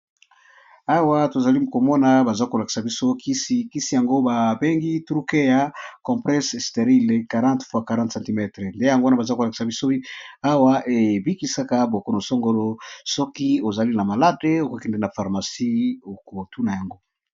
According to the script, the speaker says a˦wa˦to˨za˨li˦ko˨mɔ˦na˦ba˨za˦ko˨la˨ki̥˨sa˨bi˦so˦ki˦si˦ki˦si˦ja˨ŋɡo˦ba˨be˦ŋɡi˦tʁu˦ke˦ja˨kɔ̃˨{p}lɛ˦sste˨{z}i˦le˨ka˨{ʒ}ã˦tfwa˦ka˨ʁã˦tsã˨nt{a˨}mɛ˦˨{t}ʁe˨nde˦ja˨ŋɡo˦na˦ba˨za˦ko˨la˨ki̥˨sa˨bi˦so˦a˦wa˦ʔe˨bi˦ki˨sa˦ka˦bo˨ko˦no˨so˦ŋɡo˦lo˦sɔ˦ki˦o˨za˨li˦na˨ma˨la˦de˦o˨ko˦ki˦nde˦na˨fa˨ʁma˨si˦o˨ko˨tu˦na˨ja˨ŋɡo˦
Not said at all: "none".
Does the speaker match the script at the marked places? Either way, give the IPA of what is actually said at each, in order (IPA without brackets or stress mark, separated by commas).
p, ʁ, ʁ, i˨, t